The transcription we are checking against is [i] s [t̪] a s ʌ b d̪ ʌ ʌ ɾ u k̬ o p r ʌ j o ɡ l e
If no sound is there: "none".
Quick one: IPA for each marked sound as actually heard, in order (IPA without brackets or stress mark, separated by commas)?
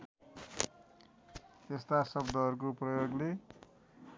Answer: e, t̪